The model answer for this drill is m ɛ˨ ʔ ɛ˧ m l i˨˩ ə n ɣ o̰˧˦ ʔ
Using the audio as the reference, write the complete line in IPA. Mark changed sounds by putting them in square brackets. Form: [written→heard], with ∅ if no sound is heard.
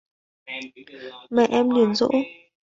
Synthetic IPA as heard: m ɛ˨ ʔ ɛ˧ m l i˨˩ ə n [ɣ→z] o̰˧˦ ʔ